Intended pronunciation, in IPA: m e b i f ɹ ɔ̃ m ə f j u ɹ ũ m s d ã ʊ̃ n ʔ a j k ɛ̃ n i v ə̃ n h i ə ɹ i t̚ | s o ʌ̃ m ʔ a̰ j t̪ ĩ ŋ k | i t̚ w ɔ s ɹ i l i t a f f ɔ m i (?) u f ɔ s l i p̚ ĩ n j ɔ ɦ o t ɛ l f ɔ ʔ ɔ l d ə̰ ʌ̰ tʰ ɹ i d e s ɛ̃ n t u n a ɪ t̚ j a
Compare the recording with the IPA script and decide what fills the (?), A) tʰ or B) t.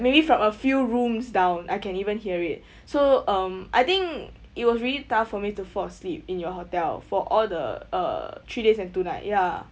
B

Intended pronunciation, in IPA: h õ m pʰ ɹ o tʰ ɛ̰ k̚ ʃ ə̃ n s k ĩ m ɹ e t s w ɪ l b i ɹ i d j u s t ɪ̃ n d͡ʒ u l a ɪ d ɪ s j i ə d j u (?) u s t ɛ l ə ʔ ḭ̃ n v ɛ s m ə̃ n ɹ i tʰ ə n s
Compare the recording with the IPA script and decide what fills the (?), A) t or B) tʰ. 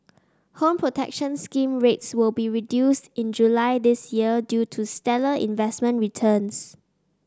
B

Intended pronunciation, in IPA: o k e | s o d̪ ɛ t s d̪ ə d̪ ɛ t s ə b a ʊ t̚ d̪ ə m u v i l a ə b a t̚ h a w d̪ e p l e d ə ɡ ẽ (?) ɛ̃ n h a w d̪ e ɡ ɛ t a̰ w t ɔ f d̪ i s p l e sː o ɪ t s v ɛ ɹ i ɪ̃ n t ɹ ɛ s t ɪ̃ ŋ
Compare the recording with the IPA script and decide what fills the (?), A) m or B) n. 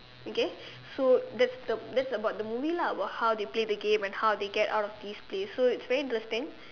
A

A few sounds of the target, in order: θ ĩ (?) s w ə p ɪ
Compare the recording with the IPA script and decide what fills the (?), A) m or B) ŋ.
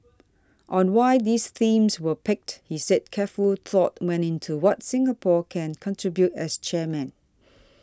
A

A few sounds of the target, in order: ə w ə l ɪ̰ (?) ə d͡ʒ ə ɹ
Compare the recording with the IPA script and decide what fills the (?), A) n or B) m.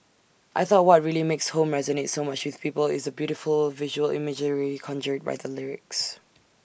B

